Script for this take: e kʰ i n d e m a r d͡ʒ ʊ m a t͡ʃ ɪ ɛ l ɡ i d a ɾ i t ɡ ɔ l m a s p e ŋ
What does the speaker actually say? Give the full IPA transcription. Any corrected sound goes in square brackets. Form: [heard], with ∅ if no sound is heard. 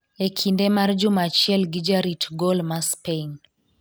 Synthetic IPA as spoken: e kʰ i n d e m a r d͡ʒ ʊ m a t͡ʃ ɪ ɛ l ɡ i [d͡ʒ] a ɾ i t ɡ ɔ l m a s p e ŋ